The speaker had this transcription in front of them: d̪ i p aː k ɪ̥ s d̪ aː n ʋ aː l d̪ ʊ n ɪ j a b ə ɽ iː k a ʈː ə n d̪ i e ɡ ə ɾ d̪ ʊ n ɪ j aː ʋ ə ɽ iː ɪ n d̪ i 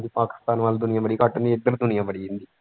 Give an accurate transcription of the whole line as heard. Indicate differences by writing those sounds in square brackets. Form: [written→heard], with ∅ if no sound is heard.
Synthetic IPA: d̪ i p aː k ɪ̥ s [d̪→t̪] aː n ʋ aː l d̪ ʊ n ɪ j a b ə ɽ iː k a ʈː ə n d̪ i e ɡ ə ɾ d̪ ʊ n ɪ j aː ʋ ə ɽ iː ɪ n d̪ i